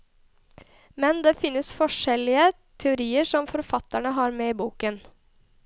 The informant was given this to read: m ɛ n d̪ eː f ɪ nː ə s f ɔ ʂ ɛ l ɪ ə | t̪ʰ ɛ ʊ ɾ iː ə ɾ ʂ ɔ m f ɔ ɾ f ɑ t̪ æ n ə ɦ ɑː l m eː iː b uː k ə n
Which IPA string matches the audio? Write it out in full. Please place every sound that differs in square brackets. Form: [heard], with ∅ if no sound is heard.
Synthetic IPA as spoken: m ɛ n d̪ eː f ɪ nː ə s f ɔ ʂ ɛ l ɪ ə | t̪ʰ ɛ ʊ ɾ iː ə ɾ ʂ ɔ m f ɔ ɾ f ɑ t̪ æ [ɳ] ə ɦ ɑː [ɾ] m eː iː b uː k ə n